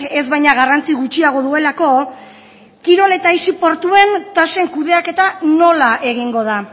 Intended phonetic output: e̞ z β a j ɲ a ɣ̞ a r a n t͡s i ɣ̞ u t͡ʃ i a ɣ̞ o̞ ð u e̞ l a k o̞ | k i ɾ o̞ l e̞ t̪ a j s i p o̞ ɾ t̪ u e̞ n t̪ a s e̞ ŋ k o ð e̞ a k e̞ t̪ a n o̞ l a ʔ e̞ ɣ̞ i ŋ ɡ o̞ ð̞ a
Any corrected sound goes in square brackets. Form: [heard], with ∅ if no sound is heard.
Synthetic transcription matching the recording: e̞ z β a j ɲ a ɣ̞ a r a n t͡s i ɣ̞ u t͡ʃ i a ɣ̞ o̞ ð u e̞ l a k o̞ | k i ɾ o̞ l e̞ t̪ a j s i p o̞ ɾ t̪ u e̞ n t̪ a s e̞ ŋ k [u] ð e̞ a k e̞ t̪ a n o̞ l a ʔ e̞ ɣ̞ i ŋ ɡ o̞ ð̞ a

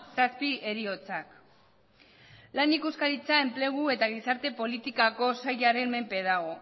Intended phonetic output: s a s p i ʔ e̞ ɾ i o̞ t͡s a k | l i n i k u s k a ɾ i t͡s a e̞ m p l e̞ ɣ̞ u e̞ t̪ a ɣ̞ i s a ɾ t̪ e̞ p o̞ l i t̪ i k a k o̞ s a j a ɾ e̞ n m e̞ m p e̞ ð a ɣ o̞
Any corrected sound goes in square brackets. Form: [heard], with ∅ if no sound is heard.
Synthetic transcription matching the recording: s a s p i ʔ e̞ ɾ i o̞ t͡s a k | l [a] n i k u s k a ɾ i t͡s a e̞ m p l e̞ ɣ̞ u e̞ t̪ a ɣ̞ i s a ɾ t̪ e̞ p o̞ l i t̪ i k a k o̞ s a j a ɾ e̞ n m e̞ m p e̞ ð a ɣ o̞

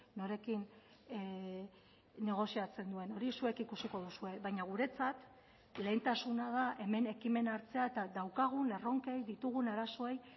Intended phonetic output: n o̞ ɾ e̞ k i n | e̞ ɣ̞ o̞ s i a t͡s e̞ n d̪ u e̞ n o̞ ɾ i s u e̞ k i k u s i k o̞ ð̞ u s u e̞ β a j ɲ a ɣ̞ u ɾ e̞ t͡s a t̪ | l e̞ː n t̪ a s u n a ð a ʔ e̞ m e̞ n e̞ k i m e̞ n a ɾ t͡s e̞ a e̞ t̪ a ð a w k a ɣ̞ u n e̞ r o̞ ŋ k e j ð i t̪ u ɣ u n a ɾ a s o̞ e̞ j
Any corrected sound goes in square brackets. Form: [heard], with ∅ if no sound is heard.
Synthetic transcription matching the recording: n o̞ ɾ e̞ k i n | e̞ ɣ̞ o̞ s i a t͡s e̞ n d̪ u e̞ n o̞ ɾ i s u e̞ k i k u s i k o̞ ð̞ u s u e̞ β a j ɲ a ɣ̞ u ɾ e̞ t͡s a t̪ | l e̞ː n t̪ a s u n a ð a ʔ e̞ m e̞ n e̞ k i m e̞ n a ɾ t͡s e̞ a e̞ t̪ a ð a w k a ɣ̞ u n e̞ r o̞ ŋ k e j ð i t̪ u ɣ u n a ɾ a s o̞ e̞ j

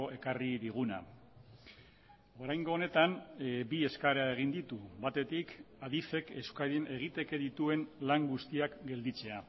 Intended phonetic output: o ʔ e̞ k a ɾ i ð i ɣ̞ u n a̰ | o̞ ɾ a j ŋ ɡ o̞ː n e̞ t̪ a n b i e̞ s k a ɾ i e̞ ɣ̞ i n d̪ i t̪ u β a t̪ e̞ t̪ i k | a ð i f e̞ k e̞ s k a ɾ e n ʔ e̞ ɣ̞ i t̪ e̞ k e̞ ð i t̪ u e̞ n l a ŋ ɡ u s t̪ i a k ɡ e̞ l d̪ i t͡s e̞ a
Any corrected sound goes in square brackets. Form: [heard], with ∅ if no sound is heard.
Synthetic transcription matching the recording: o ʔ e̞ k a [r] i ð i ɣ̞ u n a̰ | o̞ ɾ a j ŋ ɡ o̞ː n e̞ t̪ a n b i e̞ s k a ɾ [a] e̞ ɣ̞ i n d̪ i t̪ u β a t̪ e̞ t̪ i k | a ð i f e̞ k e̞ s k a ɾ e n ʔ e̞ ɣ̞ i t̪ e̞ k e̞ ð i t̪ u e̞ n l a ŋ ɡ u s t̪ i a k ɡ e̞ l d̪ i t͡s e̞ a

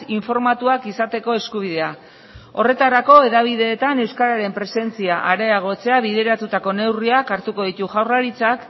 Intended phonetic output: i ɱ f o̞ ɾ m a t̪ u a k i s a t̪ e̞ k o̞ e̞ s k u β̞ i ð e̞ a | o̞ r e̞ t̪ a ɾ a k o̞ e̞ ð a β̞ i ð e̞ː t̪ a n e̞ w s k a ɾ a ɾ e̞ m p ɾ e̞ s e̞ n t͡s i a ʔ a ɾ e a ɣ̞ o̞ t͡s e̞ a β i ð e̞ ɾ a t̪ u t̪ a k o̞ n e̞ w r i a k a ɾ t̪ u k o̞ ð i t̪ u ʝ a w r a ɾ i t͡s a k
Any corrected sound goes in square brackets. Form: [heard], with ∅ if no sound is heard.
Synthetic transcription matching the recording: i ɱ f o̞ ɾ m a t̪ u a k i s a t̪ e̞ k o̞ e̞ s k u β̞ i ð e̞ a | o̞ r e̞ t̪ a ɾ a k o̞ e̞ ð a β̞ i ð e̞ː t̪ a n e̞ w s k a ɾ a ɾ e̞ m p ɾ e̞ s e̞ n t͡s i a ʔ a ɾ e a ɣ̞ o̞ t͡s e̞ a β i ð e̞ ɾ a t̪ u t̪ a k o̞ n e̞ w r i a k a ɾ t̪ u k o̞ ð i t̪ u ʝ a w r a ɾ i t͡s a k

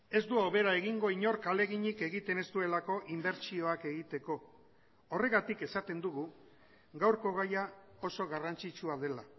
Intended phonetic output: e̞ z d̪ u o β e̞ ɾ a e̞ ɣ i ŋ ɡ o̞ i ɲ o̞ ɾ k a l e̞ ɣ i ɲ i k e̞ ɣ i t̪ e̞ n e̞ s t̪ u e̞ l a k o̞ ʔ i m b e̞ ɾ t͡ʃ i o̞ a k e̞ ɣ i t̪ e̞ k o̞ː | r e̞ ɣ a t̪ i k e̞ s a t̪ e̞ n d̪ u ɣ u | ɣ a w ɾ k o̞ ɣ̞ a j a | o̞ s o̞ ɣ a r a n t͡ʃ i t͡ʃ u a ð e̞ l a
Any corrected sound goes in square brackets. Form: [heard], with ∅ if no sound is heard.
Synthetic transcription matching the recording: e̞ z d̪ u o β e̞ ɾ a e̞ ɣ i ŋ ɡ o̞ i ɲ o̞ ɾ k a l e̞ ɣ i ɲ i k e̞ ɣ i t̪ e̞ n e̞ s t̪ u e̞ l a k o̞ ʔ i m b e̞ ɾ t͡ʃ i o̞ a k e̞ ɣ i t̪ e̞ k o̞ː | r e̞ ɣ a t̪ i k e̞ s a t̪ e̞ n d̪ u ɣ u | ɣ a w ɾ k o̞ ɣ̞ a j a | o̞ s o̞ ɣ a r a n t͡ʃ i t͡ʃ u a ð e̞ l a

